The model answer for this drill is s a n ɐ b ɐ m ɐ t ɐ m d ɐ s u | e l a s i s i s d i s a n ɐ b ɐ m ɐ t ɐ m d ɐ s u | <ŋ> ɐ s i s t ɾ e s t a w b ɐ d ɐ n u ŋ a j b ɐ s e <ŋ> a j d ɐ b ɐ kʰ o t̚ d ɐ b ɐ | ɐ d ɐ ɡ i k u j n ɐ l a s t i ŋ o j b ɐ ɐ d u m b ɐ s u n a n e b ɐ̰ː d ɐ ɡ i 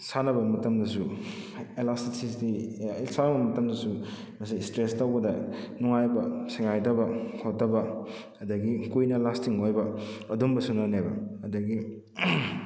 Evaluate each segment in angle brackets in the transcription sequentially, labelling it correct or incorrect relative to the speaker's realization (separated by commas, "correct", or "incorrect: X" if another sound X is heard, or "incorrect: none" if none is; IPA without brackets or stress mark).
incorrect: m, correct